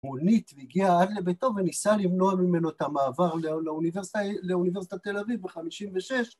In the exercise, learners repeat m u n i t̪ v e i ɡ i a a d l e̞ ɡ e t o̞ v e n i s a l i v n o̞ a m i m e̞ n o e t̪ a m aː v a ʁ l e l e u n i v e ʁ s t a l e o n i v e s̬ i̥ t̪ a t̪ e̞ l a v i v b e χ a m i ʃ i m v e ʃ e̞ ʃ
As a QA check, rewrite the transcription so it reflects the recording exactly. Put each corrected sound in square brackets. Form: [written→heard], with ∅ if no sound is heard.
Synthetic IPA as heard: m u n i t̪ v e i ɡ i a a d l e̞ [ɡ→b] e t o̞ v e n i s a l i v n o̞ a m i m e̞ n o e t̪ a m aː v a ʁ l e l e u n i v e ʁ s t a l e [o→u] n i v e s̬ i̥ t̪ a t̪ e̞ l a v i v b e χ a m i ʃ i m v e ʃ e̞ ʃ